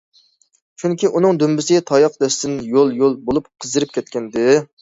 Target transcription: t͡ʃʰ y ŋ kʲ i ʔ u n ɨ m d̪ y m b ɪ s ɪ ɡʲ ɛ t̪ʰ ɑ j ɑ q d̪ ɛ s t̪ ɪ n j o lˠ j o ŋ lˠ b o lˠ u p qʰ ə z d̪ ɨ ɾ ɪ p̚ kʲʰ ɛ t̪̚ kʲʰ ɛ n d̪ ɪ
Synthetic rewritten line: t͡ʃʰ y ŋ kʲ i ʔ u n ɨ ŋ d̪ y m b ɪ s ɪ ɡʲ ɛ t̪ʰ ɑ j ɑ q d̪ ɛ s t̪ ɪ n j o lˠ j o lˠ b o lˠ u p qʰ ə z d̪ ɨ ɾ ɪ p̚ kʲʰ ɛ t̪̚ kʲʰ ɛ n d̪ ɪ